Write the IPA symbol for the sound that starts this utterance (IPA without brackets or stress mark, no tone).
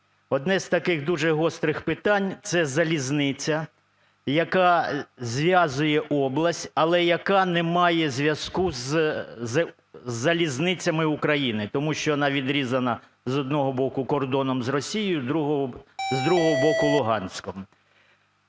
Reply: ɔ